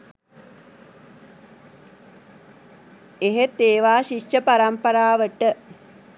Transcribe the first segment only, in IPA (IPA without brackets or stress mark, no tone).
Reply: e